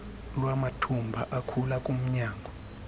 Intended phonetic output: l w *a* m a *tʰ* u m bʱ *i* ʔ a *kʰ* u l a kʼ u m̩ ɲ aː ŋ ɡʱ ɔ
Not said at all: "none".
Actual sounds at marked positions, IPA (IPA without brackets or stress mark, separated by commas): a, tʰ, a, kʰ